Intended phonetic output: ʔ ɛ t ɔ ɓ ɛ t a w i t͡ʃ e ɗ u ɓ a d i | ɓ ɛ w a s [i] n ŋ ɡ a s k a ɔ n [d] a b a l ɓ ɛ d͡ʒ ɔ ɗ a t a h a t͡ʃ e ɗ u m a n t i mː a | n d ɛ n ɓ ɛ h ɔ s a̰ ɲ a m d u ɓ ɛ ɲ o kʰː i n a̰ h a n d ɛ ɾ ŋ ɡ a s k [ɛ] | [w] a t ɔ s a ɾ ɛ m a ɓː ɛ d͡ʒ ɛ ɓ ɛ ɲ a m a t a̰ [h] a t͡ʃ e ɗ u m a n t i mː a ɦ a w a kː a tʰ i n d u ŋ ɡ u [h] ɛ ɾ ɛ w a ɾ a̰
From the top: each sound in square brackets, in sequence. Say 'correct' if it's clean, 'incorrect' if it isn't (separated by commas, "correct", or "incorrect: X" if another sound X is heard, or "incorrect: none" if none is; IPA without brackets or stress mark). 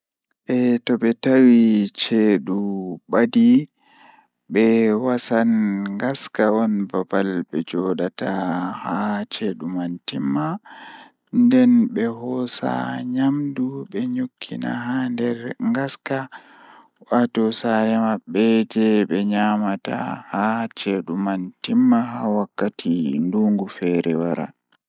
incorrect: a, incorrect: b, incorrect: a, correct, correct, incorrect: f